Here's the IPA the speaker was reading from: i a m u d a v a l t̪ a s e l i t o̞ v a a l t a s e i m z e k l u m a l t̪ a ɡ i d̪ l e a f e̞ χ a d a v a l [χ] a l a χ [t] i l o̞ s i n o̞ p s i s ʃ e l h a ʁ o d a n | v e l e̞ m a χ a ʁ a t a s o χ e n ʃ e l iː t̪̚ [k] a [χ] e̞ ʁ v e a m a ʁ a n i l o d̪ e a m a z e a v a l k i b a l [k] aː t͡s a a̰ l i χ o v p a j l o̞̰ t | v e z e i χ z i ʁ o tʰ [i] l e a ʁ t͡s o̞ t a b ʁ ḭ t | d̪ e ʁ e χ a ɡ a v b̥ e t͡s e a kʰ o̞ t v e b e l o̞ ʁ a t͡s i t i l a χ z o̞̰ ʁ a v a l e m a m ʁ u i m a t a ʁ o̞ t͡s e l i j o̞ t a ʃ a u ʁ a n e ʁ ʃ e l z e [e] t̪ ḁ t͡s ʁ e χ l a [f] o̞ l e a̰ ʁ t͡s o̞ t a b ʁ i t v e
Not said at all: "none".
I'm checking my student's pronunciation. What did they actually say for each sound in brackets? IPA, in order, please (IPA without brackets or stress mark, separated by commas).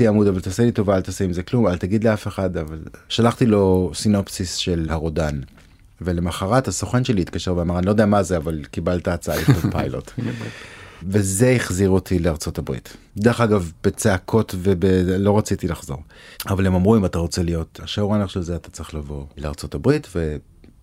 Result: ʃ, t, k, ʃ, t, i, a, v